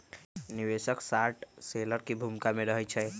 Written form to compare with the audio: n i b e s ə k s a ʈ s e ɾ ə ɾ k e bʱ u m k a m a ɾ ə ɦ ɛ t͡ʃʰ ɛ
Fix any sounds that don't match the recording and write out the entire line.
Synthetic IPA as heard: n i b e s ə k s a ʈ s e l ə ɾ k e bʱ u m k a m e ɾ ə ɦ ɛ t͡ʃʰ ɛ